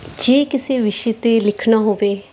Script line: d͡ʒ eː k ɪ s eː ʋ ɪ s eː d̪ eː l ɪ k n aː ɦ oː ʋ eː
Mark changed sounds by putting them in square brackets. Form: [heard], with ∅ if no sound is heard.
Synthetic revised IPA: d͡ʒ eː k ɪ s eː ʋ ɪ [ʃ] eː [t̪] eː l ɪ [kʰ] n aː ɦ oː ʋ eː